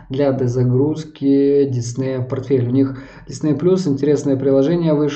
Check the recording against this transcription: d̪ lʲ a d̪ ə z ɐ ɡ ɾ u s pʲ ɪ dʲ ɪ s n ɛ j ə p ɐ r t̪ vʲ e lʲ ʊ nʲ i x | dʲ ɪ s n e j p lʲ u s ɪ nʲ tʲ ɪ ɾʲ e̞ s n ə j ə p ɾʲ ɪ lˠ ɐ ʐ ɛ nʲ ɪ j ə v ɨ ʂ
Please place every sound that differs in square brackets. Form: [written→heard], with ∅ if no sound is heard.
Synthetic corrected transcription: d̪ lʲ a d̪ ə z ɐ ɡ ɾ u s [pʲ→kʲ] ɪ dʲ ɪ s n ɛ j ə p ɐ r t̪ [vʲ→fʲ] e lʲ ʊ nʲ i x | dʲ ɪ s n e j p lʲ u s ɪ nʲ tʲ ɪ ɾʲ e̞ s n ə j ə p ɾʲ ɪ lˠ ɐ ʐ ɛ nʲ ɪ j ə v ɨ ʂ